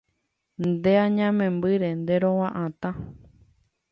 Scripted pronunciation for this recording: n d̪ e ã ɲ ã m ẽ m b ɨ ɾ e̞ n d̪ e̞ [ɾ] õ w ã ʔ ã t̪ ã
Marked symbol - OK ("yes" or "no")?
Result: yes